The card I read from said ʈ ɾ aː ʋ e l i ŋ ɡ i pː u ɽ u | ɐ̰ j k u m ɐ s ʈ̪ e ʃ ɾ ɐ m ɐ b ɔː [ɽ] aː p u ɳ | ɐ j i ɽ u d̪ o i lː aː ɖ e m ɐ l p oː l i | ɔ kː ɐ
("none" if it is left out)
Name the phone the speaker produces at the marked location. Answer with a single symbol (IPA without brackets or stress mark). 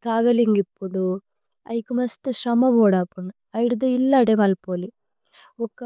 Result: ɽ